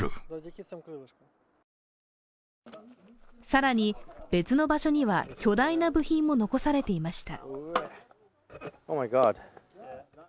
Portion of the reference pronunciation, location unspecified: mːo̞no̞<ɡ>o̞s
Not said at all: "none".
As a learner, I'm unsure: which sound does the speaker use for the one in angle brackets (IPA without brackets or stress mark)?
k